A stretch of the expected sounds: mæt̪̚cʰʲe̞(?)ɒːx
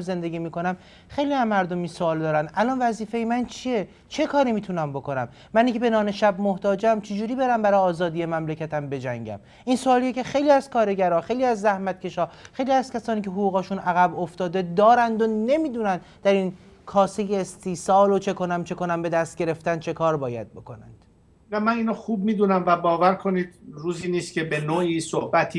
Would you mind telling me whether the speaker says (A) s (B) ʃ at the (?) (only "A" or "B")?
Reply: B